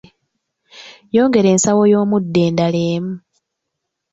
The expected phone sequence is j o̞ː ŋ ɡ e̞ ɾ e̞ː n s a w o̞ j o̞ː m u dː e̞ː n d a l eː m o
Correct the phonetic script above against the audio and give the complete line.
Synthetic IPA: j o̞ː ŋ ɡ e̞ ɾ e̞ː n s a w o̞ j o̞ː m u dː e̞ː n d a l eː m u